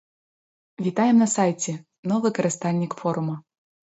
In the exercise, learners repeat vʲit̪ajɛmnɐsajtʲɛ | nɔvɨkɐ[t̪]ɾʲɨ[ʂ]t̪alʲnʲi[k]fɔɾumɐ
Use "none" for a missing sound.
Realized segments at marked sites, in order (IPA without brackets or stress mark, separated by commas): none, s, k